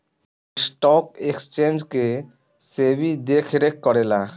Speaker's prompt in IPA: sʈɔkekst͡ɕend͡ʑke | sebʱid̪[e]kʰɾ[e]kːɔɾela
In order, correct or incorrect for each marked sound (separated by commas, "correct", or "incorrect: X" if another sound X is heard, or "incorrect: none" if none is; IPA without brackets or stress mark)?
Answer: correct, correct